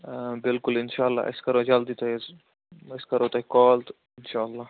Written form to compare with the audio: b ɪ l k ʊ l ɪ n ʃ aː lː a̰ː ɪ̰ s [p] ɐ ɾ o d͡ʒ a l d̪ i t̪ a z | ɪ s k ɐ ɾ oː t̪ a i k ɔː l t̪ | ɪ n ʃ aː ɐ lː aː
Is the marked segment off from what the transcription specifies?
yes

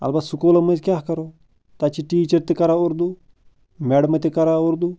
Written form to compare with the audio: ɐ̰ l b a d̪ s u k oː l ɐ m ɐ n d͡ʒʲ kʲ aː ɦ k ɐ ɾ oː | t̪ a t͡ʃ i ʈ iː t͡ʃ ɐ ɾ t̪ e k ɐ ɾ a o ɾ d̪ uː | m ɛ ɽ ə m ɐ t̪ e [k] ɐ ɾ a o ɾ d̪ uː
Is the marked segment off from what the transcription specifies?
no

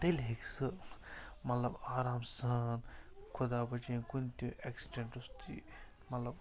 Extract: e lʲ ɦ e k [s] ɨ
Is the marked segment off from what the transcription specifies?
no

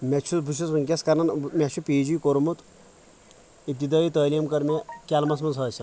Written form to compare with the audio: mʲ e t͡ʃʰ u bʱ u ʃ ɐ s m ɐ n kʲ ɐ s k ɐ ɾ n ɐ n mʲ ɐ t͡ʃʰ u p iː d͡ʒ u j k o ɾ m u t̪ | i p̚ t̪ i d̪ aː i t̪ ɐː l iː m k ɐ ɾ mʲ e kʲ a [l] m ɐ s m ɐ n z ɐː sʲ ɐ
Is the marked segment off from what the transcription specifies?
no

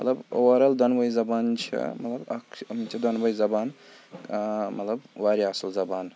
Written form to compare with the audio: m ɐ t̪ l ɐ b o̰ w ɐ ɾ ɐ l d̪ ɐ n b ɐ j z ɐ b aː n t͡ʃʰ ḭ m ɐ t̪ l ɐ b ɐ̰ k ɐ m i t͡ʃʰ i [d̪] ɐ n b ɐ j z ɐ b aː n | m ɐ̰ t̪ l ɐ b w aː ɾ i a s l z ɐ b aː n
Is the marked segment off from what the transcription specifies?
no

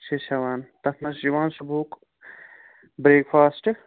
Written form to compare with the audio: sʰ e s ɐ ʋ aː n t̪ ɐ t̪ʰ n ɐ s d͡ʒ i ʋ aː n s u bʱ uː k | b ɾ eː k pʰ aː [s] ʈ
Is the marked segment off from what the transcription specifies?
no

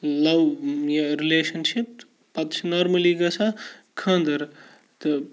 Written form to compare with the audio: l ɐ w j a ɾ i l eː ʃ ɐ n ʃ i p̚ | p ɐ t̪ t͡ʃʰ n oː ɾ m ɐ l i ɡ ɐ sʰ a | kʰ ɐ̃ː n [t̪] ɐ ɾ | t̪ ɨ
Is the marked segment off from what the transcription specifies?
yes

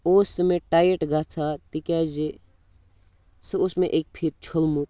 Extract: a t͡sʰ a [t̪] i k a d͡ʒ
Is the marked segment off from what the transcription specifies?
no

